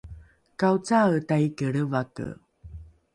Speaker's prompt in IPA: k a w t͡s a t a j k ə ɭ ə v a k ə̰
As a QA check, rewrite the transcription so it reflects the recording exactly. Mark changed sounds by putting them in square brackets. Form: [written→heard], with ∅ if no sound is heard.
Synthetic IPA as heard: k a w t͡s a t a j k ə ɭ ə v a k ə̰